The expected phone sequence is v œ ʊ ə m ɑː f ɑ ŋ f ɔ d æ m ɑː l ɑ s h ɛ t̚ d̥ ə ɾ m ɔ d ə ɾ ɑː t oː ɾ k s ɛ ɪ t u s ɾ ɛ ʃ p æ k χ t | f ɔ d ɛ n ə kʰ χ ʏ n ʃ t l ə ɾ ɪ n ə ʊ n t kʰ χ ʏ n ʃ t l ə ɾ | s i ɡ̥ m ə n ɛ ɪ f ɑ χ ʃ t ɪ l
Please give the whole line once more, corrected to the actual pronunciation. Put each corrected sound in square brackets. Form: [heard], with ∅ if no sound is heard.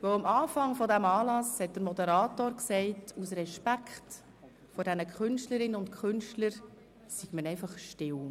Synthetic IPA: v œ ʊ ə m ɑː f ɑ ŋ f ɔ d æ m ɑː l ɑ s h ɛ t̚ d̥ ə ɾ m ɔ d ə ɾ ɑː t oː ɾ k s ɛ ɪ t u s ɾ ɛ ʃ p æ k χ t | f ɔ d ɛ n ə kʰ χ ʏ n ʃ t l ə ɾ ɪ n ə ʊ n t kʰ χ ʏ n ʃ t l ə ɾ | s i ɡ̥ m ə n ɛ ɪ f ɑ χ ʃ t ɪ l